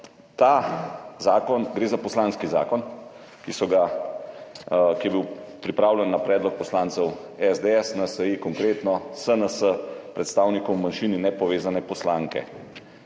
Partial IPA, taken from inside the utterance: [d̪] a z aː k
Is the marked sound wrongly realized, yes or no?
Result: yes